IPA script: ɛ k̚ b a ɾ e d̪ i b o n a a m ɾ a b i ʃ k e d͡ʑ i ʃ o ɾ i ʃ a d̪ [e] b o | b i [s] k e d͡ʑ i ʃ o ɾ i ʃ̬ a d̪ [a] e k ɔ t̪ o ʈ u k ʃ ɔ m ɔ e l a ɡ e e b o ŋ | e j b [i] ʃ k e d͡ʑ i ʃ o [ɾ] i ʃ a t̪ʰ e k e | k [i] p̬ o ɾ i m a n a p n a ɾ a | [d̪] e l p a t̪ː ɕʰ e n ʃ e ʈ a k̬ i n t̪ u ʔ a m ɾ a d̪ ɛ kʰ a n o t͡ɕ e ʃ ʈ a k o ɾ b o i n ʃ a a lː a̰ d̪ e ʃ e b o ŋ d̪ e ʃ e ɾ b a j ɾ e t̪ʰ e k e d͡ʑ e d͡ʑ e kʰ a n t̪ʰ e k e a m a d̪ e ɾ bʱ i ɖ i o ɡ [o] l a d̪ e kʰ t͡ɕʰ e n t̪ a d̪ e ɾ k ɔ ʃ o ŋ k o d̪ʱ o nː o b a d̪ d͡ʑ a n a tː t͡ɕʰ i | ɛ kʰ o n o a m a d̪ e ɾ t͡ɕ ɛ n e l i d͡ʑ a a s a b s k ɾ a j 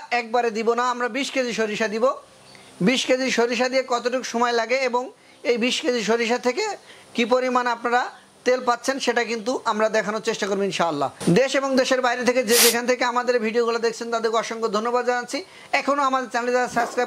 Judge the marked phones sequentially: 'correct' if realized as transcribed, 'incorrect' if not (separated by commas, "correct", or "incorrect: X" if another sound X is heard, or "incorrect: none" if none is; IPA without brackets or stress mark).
incorrect: i, incorrect: ʃ, incorrect: i, correct, correct, correct, incorrect: t̪, incorrect: u